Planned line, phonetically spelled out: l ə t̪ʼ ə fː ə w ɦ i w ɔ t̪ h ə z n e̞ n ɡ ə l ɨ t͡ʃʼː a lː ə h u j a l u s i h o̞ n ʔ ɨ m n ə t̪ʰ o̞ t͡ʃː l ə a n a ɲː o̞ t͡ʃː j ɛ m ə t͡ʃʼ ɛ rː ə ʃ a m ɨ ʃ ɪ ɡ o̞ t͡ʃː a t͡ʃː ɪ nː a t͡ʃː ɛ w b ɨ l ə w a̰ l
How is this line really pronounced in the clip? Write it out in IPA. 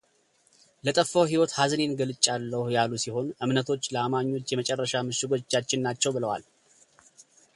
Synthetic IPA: l ə t̪ʼ ə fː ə w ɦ i w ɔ t̪ h a z n e̞ n ɡ ə l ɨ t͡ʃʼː a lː ə h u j a l u s i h o̞ n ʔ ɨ m n ə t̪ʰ o̞ t͡ʃː l ə a m a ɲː o̞ t͡ʃː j ɛ m ə t͡ʃʼ ɛ rː ə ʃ a m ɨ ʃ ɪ ɡ o̞ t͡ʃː a t͡ʃː ɪ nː a t͡ʃː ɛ w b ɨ l ə w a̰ l